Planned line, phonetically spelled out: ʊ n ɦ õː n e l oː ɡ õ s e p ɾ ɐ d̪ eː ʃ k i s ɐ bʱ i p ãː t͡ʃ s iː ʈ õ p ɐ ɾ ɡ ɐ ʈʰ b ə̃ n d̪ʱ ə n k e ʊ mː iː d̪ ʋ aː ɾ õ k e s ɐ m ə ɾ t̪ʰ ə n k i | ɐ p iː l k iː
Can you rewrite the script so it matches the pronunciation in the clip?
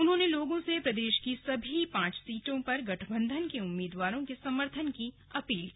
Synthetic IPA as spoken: ʊ n ɦ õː n e l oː ɡ õ s e p ɾ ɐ d̪ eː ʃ k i s ɐ bʱ i p ãː t͡ʃ s iː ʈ õ p ɐ ɾ ɡ ɐ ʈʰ b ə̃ n d̪ʱ ə n k e ʊ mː iː d̪ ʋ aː ɾ õ k e s ɐ m ə ɾ t̪ʰ ə n k i | ɐ p iː l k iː